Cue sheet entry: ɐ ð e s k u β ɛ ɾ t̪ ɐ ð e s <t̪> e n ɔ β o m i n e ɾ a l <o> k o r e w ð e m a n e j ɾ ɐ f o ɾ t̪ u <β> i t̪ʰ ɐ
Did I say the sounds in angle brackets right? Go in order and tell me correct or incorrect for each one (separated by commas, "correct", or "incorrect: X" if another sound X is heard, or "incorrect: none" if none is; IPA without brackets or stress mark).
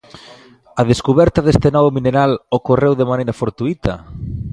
correct, correct, incorrect: none